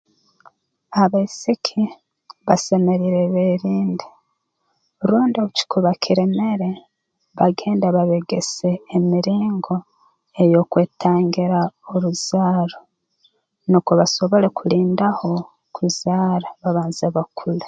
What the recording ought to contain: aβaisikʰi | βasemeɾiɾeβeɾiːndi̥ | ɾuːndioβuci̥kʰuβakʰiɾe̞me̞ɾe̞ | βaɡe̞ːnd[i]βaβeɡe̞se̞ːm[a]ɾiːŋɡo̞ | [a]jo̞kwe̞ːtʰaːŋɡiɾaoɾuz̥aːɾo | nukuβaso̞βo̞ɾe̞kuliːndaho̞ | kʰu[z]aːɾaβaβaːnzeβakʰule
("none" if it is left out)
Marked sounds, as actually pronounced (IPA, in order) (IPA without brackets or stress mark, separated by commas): a, i, e, z